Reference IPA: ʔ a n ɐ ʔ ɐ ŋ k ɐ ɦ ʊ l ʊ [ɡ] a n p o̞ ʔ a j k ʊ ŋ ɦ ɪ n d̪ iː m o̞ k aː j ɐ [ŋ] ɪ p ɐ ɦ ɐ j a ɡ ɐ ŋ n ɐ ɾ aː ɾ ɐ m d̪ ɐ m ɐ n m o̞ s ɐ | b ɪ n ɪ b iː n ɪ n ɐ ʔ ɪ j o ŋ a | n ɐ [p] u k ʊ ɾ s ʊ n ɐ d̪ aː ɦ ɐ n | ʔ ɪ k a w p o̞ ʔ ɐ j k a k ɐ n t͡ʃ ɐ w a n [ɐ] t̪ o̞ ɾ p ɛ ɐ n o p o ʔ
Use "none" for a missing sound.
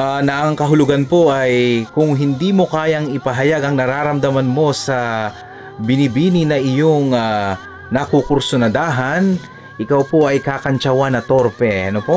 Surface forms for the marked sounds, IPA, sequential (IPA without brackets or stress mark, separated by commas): ɡ, ŋ, k, ɐ